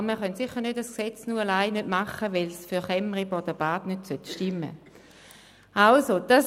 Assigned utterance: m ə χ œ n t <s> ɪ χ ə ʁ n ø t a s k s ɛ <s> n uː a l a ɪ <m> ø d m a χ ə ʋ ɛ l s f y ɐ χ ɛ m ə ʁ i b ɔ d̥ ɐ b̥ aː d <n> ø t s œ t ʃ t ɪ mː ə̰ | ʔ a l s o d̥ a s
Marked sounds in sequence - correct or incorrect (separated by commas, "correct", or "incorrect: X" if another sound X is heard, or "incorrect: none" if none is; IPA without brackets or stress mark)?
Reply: correct, incorrect: t͡s, incorrect: n, correct